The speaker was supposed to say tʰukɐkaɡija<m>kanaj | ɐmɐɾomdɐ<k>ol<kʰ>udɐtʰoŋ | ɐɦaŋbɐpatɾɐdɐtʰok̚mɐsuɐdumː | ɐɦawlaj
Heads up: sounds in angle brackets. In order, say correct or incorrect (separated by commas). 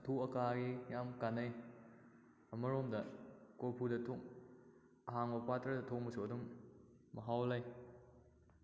correct, correct, incorrect